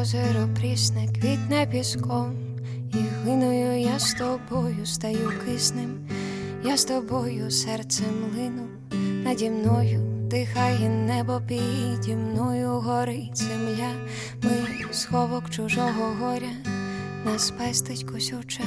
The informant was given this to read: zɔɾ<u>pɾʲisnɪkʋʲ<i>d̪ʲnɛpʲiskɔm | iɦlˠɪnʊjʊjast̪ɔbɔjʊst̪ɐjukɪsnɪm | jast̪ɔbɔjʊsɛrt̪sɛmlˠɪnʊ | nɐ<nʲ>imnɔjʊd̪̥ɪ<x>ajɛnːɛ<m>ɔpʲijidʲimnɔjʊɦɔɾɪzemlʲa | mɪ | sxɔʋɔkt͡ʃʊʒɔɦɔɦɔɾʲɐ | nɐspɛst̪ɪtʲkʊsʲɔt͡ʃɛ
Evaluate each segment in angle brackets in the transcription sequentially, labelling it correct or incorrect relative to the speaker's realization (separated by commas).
incorrect, correct, incorrect, correct, incorrect